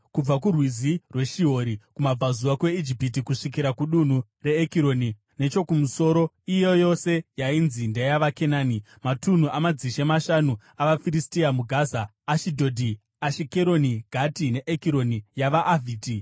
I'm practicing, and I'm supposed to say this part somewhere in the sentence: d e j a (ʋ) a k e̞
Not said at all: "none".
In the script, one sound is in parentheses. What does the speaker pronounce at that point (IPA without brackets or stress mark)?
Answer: ʋ